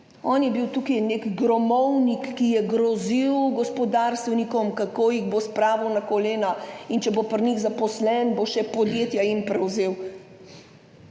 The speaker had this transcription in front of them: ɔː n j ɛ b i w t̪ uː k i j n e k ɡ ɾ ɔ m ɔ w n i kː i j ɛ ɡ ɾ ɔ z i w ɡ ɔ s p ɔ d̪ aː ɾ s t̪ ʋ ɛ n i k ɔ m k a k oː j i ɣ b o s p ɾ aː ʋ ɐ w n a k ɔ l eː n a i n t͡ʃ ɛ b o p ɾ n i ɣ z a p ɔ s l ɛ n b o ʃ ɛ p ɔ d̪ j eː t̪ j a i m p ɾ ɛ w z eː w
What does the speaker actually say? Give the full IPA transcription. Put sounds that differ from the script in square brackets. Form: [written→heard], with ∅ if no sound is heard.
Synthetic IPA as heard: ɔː n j ɛ b i w t̪ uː k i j n e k ɡ ɾ ɔ m ɔ w n i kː i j ɛ ɡ ɾ ɔ z i w ɡ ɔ s p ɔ d̪ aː ɾ s t̪ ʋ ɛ n i k ɔ m k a k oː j i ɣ b o s p ɾ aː ʋ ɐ w n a k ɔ l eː n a i n t͡ʃ ɛ b o p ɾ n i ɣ z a p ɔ s l ɛ n b o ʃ ɛ p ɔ d̪ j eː t̪ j a i m p ɾ ɛ w z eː w